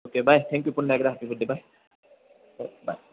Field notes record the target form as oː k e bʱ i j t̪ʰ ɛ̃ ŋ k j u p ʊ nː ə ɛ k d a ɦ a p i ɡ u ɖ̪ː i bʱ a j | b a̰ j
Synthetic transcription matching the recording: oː k e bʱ a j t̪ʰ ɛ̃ ŋ k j u p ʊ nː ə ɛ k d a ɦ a p i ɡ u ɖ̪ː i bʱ a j | b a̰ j